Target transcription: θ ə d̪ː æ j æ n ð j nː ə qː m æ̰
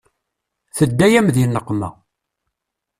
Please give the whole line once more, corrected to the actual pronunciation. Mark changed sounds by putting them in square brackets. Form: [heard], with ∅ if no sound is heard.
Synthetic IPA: θ ə d̪ː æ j æ [m] ð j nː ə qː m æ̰